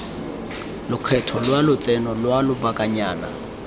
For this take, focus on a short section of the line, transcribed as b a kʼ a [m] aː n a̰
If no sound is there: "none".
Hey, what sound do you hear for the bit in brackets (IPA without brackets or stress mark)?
ɲ